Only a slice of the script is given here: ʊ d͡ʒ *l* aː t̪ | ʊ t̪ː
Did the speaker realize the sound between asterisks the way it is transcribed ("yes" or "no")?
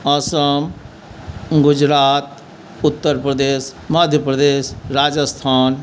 no